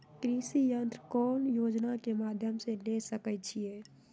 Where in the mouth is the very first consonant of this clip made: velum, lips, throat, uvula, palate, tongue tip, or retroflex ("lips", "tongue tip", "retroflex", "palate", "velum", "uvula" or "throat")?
velum